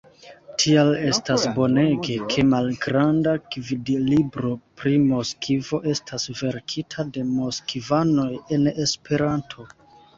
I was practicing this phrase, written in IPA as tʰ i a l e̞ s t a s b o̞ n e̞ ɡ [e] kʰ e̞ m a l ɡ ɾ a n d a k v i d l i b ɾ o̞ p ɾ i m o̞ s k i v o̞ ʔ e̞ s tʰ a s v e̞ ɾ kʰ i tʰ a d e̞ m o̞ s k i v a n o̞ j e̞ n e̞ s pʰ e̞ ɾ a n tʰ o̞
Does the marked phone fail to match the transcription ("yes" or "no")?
no